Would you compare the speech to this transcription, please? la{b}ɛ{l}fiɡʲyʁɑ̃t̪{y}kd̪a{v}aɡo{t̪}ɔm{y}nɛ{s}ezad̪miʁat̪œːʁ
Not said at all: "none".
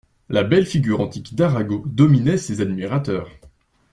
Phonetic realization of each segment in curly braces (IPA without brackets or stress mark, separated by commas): b, l, i, ʁ, d̪, i, s